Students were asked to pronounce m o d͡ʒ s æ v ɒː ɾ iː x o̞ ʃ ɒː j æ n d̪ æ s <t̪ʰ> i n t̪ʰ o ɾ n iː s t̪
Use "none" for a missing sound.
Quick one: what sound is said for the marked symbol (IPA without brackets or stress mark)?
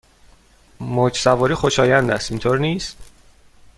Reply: t̪